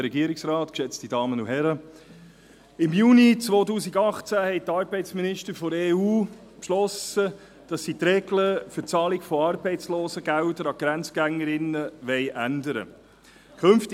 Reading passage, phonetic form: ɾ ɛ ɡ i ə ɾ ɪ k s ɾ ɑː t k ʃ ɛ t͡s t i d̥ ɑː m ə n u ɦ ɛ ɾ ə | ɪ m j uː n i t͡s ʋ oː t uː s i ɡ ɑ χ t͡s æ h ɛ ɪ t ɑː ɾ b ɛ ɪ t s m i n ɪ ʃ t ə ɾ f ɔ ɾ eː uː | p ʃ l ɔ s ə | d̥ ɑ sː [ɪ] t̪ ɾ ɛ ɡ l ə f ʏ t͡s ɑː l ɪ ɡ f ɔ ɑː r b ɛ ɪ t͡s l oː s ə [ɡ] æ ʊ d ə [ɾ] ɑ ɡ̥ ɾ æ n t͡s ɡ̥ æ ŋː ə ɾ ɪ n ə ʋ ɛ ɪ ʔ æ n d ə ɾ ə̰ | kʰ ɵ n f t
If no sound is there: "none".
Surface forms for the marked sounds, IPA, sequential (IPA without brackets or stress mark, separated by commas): i, ɡ, ɾ